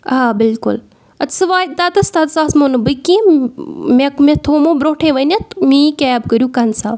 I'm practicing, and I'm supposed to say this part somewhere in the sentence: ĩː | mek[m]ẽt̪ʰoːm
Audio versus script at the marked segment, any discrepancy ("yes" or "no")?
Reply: no